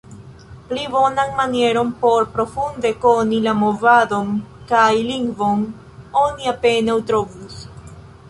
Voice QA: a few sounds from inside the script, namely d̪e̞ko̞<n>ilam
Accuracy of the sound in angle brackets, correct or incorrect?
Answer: correct